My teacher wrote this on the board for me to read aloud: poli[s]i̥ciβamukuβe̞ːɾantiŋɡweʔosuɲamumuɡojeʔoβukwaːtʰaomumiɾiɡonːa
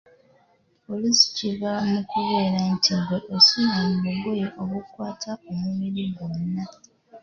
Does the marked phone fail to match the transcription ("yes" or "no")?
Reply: no